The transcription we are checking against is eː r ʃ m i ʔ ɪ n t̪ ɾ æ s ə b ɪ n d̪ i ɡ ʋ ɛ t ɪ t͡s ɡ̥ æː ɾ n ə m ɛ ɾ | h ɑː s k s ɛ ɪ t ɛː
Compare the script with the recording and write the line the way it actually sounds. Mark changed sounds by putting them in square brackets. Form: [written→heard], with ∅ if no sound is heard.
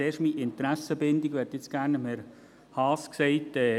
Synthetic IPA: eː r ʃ m i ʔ ɪ n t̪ ɾ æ s ə b ɪ n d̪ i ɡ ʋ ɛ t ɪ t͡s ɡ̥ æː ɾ n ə m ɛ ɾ | h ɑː s k s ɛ ɪ t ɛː